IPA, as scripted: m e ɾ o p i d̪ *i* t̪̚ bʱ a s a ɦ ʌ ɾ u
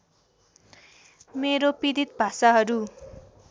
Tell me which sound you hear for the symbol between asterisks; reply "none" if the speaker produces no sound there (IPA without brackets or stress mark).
i